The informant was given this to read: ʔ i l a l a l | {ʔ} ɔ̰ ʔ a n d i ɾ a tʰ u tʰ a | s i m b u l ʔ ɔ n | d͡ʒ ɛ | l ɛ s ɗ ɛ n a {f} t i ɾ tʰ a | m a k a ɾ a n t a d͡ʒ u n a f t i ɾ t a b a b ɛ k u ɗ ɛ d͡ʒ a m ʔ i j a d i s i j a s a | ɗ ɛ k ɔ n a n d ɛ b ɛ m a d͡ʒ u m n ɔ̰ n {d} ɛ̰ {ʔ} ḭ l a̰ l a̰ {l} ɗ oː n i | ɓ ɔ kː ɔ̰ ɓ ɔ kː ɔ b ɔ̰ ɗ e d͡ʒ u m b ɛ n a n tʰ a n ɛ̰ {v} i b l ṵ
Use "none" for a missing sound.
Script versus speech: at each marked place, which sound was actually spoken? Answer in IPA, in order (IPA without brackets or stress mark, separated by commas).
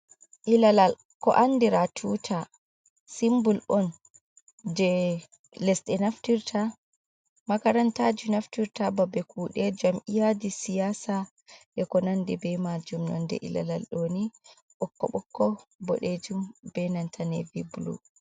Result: k, f, d, ʔ, l, v